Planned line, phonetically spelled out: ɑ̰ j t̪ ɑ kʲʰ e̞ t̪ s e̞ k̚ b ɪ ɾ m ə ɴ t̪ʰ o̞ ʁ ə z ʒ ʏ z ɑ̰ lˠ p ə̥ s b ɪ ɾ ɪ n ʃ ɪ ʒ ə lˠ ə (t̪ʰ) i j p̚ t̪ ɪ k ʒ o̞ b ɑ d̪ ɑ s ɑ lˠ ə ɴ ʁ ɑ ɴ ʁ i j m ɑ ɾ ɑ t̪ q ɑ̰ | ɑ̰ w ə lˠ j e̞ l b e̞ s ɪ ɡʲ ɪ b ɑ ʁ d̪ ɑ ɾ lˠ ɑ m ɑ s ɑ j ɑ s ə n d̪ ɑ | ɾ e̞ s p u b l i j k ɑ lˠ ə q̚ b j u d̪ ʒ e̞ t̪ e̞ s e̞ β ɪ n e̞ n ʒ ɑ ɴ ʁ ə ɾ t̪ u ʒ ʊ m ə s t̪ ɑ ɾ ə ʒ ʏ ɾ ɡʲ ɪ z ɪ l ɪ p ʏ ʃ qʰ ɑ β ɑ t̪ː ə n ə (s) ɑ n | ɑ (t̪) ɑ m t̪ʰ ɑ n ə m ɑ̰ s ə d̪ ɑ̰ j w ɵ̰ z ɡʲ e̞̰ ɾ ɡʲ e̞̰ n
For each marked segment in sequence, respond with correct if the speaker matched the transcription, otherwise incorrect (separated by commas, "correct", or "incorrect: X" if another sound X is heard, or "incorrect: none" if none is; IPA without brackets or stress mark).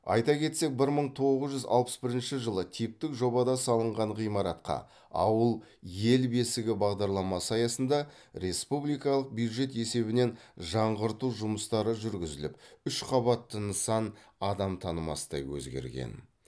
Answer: correct, correct, incorrect: d̪